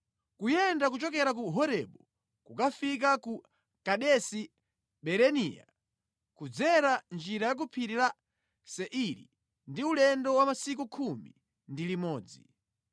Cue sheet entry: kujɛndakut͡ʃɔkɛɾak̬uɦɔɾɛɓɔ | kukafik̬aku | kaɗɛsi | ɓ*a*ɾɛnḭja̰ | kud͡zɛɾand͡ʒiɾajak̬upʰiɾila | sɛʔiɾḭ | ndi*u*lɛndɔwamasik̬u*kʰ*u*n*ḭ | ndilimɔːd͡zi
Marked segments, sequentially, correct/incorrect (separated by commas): incorrect, correct, correct, incorrect